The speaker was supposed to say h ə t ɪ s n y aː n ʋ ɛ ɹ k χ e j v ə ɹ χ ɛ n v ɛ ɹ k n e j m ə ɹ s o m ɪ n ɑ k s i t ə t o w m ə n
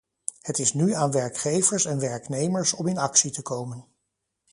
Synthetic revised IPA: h ə t ɪ s n y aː n ʋ ɛ ɹ k χ e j v ə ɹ s ɛ n ʋ ɛ ɹ k n e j m ə ɹ s ɔ m ɪ n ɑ k s i t ə k o w m ə n